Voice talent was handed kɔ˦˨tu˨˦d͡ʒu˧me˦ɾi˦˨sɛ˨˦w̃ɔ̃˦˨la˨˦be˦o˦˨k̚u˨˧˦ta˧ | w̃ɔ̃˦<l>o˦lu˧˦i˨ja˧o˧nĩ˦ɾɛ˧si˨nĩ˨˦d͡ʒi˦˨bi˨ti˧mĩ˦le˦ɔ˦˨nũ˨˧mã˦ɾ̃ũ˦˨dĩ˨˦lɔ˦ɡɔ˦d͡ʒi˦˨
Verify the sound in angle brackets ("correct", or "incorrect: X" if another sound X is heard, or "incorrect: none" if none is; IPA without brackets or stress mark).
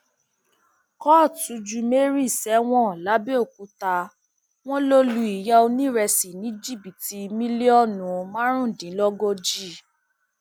correct